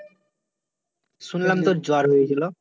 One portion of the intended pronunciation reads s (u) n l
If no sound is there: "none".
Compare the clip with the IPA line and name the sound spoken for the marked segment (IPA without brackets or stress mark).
u